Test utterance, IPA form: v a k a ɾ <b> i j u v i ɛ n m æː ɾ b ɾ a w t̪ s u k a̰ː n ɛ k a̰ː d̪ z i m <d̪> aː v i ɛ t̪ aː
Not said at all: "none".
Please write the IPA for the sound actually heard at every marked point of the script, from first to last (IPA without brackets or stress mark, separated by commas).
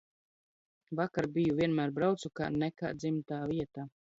b, t̪